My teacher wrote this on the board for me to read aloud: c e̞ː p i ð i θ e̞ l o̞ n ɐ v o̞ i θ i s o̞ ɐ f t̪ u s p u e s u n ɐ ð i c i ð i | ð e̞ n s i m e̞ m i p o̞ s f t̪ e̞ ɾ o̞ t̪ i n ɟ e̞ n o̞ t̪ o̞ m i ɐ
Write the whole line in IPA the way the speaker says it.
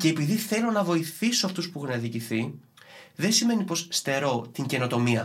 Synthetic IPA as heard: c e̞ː p i ð i θ e̞ l o̞ n ɐ v o̞ i θ i s o̞ ɐ f t̪ u s p u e x u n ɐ ð i c i θ i | ð e̞ n s i m e̞ n i p o̞ s s t̪ e̞ ɾ o̞ t̪ i ɲ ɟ e̞ n o̞ t̪ o̞ m i ɐ